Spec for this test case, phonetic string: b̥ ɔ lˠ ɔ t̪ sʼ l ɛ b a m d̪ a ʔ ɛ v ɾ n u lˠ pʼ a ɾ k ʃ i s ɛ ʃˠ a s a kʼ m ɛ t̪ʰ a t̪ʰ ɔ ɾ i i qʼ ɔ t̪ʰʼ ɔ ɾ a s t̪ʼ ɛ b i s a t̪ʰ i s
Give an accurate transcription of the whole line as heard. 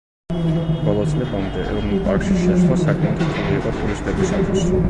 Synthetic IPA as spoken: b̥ ɔ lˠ ɔ t̪ sʼ l ɛ b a m d̪ ɛ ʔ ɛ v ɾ n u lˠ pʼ a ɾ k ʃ i ʃ ɛ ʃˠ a s a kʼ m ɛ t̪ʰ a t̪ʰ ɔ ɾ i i qʼ ɔ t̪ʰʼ u ɾ i s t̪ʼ ɛ b i s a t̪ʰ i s